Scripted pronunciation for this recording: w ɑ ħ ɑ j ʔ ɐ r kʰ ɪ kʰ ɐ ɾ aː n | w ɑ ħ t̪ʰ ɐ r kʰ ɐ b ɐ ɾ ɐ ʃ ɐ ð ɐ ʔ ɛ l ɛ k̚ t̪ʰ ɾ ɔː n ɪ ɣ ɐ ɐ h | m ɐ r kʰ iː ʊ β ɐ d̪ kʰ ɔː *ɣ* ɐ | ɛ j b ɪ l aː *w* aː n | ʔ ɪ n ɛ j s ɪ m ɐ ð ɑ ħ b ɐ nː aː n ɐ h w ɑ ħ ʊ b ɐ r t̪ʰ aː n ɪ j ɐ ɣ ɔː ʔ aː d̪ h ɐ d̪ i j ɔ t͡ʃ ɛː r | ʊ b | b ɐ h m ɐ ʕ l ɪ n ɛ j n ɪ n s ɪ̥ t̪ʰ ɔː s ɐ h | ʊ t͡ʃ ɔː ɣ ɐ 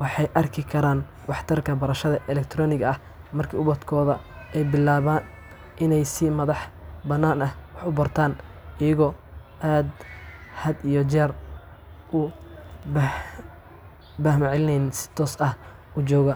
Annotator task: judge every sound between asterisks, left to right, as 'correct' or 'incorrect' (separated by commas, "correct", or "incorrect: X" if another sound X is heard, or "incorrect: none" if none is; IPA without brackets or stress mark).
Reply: incorrect: ð, incorrect: β